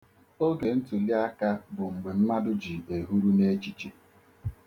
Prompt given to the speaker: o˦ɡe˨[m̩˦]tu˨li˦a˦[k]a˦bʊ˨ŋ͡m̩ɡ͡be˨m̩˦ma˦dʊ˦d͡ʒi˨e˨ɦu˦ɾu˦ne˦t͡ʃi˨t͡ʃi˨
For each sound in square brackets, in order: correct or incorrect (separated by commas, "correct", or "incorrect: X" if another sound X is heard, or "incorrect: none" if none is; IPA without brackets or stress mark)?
incorrect: n̩˦, correct